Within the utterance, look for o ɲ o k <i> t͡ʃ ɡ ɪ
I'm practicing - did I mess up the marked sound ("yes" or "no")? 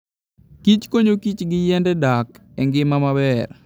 no